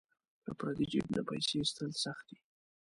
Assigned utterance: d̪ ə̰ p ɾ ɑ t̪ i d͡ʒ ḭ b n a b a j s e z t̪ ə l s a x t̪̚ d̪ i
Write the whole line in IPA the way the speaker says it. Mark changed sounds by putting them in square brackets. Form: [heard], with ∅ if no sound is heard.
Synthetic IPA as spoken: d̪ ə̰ p ɾ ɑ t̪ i d͡ʒ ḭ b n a [p] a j s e [s] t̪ ə l s a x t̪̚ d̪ i